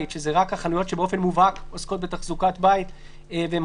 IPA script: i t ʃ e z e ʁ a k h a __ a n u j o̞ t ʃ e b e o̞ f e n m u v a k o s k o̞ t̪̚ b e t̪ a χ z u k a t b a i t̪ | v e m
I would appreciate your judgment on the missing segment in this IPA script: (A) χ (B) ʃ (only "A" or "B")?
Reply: A